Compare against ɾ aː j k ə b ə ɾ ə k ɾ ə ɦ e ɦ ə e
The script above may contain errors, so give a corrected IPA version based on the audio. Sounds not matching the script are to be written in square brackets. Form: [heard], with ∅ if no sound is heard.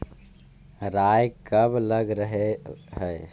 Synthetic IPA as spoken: ɾ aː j k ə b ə [l] ə [ɡ] ɾ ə ɦ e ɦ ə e